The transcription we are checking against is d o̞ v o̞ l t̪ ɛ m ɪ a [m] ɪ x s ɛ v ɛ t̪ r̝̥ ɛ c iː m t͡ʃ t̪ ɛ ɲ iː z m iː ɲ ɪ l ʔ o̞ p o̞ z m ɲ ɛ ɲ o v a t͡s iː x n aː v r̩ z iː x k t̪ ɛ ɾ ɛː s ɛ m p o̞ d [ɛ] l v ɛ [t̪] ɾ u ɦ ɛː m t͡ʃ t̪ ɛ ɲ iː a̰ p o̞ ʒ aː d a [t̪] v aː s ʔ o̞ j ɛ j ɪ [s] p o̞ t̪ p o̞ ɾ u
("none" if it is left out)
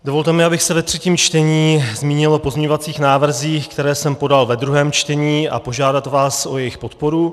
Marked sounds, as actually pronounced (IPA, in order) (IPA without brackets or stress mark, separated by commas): b, a, d̪, t̪, x